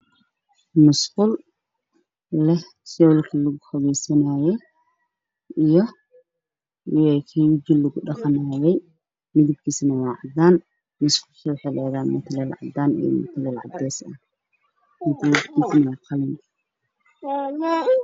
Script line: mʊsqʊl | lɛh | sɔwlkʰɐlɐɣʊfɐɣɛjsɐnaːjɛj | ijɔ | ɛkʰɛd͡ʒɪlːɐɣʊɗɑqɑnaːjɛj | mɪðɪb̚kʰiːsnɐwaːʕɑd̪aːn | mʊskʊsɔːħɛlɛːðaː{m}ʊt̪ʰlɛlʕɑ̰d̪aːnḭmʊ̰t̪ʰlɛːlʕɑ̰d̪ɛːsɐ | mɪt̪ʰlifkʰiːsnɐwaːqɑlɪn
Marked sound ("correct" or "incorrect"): correct